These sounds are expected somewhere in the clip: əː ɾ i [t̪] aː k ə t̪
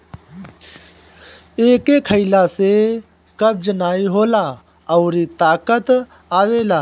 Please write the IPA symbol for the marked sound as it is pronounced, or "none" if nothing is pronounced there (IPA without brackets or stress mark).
t̪